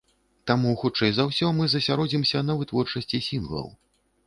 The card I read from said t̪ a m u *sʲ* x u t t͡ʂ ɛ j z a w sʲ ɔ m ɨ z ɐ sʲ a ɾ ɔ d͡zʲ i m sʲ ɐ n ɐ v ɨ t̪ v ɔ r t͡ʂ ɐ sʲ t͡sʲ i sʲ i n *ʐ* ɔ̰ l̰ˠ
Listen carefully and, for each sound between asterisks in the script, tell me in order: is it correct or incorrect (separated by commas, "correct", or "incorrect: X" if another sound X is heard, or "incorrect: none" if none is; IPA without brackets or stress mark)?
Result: incorrect: none, incorrect: v